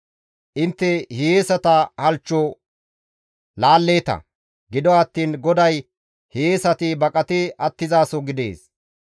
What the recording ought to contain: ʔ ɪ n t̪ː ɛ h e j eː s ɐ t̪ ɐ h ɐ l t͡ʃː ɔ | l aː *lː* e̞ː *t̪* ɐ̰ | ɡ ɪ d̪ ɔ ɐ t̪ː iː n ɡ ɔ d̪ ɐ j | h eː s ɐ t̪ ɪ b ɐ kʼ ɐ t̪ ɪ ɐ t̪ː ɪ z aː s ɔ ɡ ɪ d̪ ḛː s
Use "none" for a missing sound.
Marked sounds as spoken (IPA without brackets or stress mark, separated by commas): lː, t̪